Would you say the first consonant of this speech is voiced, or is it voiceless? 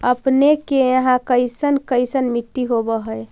voiceless